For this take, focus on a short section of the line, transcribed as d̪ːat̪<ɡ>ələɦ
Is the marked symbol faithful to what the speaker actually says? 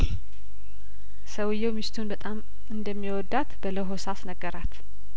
no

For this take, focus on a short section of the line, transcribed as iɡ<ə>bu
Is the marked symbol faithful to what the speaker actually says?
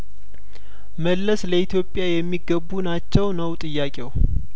yes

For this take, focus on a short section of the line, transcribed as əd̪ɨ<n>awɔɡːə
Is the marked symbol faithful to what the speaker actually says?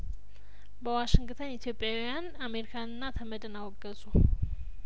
yes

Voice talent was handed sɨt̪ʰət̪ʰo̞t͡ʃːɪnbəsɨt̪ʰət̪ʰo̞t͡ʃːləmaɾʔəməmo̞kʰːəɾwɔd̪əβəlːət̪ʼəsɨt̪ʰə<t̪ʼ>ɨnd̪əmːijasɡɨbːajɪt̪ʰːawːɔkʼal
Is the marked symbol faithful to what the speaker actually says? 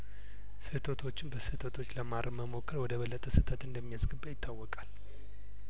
no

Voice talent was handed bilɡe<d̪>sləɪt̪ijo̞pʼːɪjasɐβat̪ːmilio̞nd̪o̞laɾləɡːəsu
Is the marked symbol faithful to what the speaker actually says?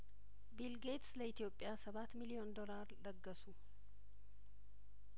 no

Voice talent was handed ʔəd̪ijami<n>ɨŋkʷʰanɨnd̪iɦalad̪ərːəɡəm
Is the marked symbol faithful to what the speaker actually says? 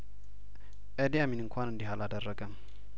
yes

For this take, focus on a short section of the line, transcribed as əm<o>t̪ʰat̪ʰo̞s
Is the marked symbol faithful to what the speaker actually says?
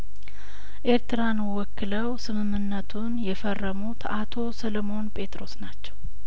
no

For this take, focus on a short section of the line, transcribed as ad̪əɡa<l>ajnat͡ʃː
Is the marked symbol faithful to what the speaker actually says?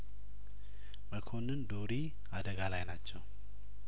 yes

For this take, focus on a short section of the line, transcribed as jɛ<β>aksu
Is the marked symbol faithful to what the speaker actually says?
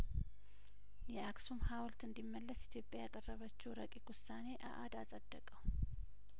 no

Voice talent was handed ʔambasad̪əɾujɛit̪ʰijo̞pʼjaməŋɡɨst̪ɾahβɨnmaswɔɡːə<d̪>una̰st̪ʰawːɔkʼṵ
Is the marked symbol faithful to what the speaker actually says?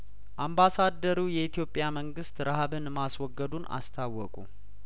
yes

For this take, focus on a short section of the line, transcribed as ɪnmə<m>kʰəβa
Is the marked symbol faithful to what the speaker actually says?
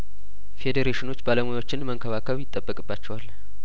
no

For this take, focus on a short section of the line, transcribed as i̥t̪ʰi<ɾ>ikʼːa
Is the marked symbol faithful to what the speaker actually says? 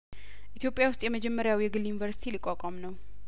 no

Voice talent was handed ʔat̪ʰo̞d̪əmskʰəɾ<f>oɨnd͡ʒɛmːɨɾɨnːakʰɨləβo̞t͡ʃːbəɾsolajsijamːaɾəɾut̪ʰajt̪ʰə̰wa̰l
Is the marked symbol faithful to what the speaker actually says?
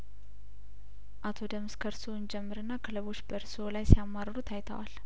no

